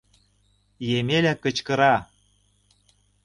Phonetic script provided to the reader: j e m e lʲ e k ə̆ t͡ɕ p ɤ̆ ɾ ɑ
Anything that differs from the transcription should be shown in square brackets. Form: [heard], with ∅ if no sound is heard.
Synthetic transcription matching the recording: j e m e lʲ [æ] k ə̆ t͡ɕ [k] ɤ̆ ɾ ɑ